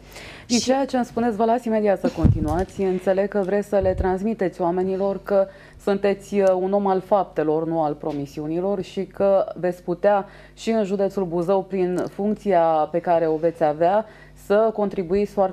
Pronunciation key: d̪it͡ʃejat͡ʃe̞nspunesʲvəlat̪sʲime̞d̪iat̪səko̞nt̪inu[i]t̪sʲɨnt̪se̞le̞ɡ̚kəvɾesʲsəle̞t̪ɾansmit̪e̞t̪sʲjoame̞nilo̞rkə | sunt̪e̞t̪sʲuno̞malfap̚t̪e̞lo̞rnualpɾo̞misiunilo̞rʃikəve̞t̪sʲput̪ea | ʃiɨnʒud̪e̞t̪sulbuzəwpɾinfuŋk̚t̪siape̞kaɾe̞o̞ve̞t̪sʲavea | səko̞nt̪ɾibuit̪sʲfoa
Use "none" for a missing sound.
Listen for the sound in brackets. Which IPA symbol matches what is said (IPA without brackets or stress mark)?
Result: a